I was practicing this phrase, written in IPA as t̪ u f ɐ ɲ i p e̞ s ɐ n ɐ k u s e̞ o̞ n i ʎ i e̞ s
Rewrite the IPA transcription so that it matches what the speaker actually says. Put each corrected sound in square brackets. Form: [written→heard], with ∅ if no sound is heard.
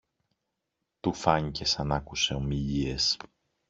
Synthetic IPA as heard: t̪ u f ɐ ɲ i [p→c] e̞ s ɐ n ɐ k u s e̞ o̞ [n→m] i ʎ i e̞ s